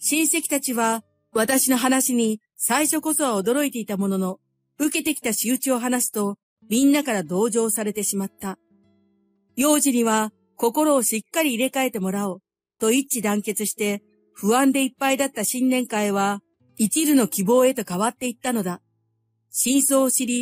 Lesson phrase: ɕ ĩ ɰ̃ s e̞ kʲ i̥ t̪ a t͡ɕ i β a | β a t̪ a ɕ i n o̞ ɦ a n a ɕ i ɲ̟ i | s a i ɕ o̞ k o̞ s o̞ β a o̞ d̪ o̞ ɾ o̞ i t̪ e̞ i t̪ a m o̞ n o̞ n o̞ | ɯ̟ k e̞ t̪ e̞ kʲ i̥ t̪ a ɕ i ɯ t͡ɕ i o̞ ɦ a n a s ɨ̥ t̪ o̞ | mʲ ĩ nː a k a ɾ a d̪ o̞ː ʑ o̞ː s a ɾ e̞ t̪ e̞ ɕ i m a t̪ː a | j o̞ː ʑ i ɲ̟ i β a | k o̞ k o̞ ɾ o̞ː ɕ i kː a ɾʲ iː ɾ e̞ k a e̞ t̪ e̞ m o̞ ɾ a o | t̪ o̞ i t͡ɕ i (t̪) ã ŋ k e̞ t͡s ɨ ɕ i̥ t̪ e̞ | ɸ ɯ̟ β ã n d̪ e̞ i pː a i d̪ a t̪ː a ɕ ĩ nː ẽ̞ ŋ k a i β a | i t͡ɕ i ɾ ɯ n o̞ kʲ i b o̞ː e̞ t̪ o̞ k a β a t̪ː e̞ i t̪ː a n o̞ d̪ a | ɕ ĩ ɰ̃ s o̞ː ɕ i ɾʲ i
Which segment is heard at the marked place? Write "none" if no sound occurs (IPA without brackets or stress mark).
d̪